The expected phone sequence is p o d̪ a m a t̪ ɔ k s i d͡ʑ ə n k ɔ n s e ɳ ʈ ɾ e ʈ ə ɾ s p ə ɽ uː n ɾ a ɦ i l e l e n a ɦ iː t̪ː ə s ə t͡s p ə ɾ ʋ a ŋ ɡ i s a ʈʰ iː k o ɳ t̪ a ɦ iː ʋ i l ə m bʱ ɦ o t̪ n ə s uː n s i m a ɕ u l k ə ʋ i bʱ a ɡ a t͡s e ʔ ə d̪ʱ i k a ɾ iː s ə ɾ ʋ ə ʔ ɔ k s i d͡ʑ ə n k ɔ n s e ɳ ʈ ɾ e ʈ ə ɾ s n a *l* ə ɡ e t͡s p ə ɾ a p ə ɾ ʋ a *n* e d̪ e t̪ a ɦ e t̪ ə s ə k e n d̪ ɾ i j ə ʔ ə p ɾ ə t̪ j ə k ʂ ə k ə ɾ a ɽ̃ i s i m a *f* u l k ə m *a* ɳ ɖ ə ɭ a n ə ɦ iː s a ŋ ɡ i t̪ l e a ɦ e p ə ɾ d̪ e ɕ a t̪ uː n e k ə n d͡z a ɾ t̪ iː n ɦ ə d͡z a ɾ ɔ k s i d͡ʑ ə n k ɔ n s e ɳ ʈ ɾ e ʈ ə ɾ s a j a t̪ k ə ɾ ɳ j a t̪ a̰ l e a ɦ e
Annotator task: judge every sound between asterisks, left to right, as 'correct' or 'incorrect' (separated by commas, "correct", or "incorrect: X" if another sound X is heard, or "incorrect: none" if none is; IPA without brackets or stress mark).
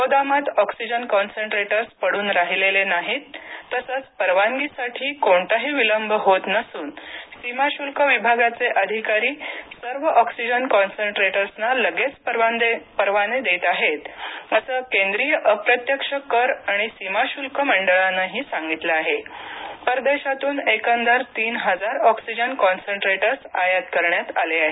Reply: correct, correct, incorrect: ɕ, incorrect: ə